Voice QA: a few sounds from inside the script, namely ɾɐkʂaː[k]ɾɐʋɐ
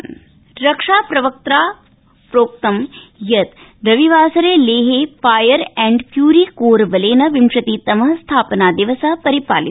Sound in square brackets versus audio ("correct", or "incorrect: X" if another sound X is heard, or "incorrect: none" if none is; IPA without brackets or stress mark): incorrect: p